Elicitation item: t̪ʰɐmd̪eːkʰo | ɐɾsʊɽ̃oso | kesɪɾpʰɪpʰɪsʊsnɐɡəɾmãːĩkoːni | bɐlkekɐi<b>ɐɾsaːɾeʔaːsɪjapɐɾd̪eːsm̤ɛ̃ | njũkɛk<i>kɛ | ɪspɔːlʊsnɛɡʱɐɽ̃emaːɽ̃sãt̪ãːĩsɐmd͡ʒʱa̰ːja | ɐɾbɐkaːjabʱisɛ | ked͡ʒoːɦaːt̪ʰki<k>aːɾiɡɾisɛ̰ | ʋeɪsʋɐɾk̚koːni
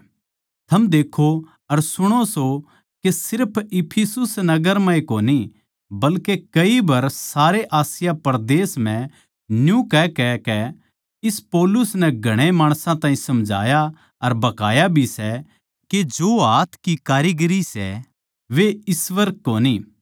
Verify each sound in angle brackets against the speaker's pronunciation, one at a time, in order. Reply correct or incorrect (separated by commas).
correct, incorrect, correct